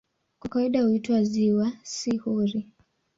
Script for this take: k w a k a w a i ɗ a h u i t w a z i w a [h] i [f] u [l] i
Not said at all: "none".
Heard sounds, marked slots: s, h, ɾ

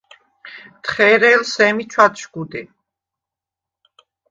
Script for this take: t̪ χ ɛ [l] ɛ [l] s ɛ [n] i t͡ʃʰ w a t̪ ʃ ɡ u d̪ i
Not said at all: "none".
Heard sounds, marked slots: ɾ, l, m

